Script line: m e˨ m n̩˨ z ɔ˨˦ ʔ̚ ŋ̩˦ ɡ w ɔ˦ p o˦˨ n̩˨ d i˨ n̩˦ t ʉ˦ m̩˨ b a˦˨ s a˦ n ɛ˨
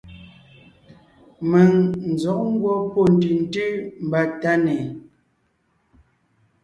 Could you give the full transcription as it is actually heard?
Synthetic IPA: m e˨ ŋ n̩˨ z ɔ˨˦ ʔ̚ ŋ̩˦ ɡ w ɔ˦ p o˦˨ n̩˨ t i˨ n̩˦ t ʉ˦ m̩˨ b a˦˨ t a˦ n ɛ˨